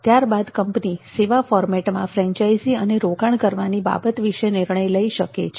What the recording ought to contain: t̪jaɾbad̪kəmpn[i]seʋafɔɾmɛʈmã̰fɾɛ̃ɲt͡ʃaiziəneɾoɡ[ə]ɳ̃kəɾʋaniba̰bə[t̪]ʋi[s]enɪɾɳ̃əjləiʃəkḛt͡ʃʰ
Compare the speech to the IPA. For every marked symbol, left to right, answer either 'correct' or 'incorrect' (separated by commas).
correct, incorrect, correct, incorrect